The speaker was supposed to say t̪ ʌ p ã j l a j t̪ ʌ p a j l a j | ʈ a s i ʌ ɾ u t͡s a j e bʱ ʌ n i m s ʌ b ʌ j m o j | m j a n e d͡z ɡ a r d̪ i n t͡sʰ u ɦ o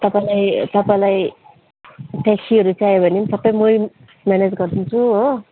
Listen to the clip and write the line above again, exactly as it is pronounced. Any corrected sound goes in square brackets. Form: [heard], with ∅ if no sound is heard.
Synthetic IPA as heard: t̪ ʌ p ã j l a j t̪ ʌ p a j l a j | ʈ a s i ʌ ɾ u t͡s a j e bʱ ʌ n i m s ʌ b ʌ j m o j | m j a n e d͡z ɡ [ʌ] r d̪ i n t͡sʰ u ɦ o